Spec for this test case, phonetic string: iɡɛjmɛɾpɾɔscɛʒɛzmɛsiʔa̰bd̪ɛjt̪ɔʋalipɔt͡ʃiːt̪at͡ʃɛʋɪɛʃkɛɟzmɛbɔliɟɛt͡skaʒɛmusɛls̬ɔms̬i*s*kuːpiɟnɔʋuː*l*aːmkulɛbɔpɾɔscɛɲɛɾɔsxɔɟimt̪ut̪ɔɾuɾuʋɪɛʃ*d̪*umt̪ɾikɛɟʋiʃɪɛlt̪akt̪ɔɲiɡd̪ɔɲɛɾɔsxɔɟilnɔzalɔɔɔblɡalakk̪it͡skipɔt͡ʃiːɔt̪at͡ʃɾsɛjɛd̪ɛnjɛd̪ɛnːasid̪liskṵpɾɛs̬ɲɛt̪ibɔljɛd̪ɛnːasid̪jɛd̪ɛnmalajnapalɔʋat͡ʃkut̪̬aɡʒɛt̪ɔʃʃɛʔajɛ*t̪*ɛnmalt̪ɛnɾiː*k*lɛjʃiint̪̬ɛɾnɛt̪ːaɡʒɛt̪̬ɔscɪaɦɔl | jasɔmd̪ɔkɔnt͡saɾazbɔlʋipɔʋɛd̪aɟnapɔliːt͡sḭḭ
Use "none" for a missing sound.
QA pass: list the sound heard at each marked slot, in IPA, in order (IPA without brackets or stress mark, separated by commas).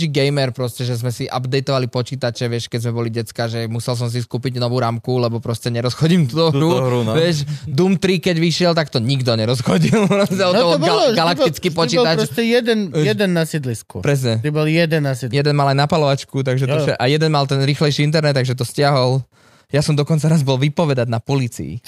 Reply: s, ɾ, d̪, d̪, x